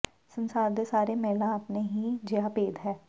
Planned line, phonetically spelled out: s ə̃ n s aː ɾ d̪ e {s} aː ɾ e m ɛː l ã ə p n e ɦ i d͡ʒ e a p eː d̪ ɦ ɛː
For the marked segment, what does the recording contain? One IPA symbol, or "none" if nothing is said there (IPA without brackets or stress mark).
s